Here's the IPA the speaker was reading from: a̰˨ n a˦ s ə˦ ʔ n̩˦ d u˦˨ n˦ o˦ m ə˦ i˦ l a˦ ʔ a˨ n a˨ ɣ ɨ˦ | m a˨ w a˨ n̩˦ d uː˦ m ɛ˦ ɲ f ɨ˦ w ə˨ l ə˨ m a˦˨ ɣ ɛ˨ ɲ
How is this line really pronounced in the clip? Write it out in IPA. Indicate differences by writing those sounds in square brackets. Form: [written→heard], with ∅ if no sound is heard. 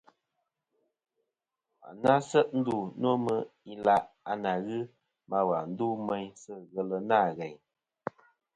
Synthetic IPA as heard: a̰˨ n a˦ s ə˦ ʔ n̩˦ d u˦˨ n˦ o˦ m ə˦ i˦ l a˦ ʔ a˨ n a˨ ɣ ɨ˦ | m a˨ w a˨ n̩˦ d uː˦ m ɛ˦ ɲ [f→s] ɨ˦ [w→ɣ] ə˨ l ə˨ [m→n] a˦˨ ɣ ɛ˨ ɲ